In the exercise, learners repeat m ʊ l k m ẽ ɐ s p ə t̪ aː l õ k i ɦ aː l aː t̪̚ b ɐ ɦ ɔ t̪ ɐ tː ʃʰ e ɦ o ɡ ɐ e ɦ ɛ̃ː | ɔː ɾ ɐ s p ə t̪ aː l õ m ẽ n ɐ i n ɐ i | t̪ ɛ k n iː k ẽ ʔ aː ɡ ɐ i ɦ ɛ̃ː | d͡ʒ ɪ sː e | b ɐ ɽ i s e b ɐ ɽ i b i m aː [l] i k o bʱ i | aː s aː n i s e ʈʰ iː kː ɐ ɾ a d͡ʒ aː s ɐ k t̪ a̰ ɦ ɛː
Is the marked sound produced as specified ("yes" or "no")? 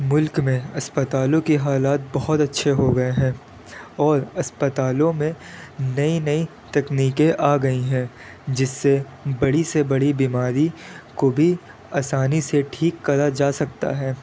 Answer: no